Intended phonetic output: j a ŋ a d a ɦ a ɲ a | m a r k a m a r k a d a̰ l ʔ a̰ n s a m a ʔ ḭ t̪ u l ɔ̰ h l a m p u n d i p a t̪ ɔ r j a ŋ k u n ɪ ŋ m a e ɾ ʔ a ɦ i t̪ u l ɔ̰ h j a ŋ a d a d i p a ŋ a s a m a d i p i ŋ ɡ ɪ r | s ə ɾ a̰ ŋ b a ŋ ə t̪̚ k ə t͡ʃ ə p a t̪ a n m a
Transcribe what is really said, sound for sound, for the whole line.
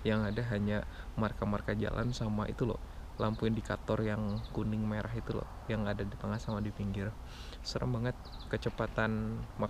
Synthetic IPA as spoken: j a ŋ a d a ɦ a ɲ a | m a r k a m a r k a d͡ʒ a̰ l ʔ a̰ n s a m a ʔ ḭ t̪ u l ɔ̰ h l a m p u n d i k a t̪ ɔ r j a ŋ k u n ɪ ŋ m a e ɾ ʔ a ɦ i t̪ u l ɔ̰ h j a ŋ a d a d i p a ŋ a s a m a d i p i ŋ ɡ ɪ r | s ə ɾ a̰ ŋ b a ŋ ə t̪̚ k ə t͡ʃ ə p a t̪ a n m a